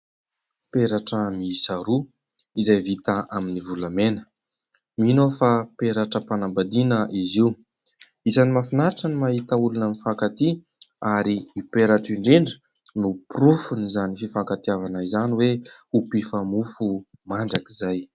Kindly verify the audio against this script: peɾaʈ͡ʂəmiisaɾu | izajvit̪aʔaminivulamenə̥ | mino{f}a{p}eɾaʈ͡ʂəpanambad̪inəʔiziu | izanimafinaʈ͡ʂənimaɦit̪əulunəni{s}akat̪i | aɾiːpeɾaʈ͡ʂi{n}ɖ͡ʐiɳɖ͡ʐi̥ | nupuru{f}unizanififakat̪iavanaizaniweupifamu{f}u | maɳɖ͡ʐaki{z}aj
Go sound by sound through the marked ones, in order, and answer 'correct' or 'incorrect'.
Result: correct, correct, incorrect: f, incorrect: ɳ, correct, correct, correct

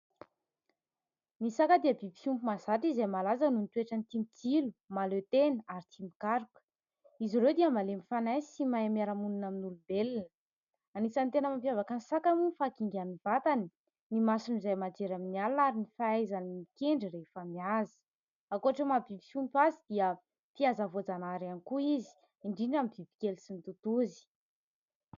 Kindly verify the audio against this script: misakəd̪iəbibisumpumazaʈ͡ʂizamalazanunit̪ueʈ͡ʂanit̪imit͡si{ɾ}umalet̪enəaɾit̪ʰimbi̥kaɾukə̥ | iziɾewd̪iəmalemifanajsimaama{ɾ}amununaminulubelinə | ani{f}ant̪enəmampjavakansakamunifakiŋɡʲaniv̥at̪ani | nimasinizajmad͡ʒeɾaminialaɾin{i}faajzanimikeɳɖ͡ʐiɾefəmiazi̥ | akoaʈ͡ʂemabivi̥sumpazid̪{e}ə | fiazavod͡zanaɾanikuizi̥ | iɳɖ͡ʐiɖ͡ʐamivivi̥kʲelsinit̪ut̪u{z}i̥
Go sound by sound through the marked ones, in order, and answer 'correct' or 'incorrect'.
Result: incorrect: l, correct, incorrect: s, correct, incorrect: i, correct

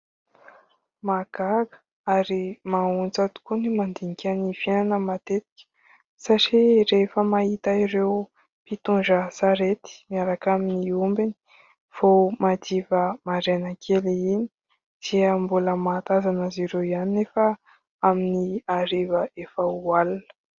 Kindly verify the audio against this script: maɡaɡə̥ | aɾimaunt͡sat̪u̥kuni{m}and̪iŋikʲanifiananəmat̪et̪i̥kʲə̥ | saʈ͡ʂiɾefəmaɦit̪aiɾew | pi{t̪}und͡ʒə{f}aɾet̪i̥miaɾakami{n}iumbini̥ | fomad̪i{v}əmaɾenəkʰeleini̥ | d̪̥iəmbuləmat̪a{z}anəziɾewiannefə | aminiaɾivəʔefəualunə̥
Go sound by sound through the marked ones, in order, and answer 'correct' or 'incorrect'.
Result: correct, correct, incorrect: s, correct, correct, correct

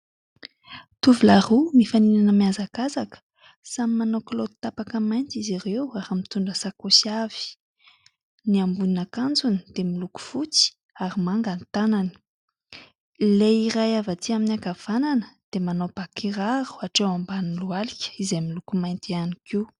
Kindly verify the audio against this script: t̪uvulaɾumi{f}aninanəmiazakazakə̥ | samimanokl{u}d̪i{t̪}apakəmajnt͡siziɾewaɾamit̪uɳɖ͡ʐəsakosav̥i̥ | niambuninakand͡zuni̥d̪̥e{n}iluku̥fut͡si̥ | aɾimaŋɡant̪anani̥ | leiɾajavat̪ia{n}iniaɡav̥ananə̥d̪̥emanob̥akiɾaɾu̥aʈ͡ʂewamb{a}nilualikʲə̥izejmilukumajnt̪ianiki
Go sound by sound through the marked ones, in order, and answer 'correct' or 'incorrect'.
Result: correct, incorrect: o, correct, incorrect: m, incorrect: m, correct

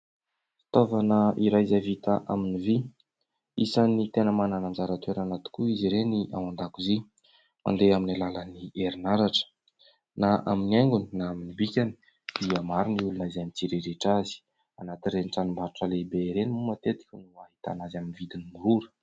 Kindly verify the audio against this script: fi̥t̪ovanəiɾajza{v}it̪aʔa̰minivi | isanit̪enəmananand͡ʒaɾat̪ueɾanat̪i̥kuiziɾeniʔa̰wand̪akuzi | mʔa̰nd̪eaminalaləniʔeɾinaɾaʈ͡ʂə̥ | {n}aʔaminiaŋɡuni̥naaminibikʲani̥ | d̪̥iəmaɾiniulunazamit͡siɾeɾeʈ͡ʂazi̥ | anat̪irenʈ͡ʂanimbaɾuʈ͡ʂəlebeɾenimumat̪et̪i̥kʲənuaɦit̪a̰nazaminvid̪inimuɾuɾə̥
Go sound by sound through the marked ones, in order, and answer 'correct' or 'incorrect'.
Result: correct, correct

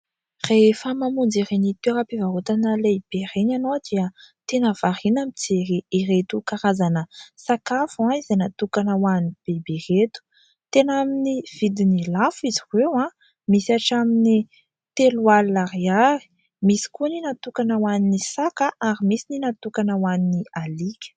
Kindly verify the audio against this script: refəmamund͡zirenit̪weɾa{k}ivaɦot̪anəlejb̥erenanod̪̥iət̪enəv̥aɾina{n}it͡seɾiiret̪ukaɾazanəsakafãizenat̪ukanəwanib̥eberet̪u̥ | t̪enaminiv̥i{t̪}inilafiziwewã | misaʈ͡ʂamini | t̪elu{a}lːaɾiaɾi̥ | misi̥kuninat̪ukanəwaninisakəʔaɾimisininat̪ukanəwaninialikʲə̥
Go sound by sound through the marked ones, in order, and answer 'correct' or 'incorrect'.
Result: incorrect: p, incorrect: m, incorrect: d̪, correct

